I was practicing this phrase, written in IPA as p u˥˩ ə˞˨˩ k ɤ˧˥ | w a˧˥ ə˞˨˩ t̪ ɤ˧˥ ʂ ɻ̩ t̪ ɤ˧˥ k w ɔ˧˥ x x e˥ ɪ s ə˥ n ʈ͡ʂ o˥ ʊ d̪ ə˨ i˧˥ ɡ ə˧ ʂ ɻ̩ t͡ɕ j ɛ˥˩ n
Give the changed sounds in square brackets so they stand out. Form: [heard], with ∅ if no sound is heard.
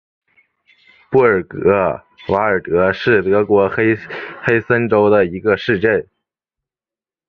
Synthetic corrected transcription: p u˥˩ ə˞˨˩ k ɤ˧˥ | w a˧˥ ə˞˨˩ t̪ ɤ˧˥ ʂ ɻ̩ t̪ ɤ˧˥ k w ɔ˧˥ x x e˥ ɪ s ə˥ n ʈ͡ʂ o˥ ʊ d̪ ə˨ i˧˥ ɡ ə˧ ʂ ɻ̩ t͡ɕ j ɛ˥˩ n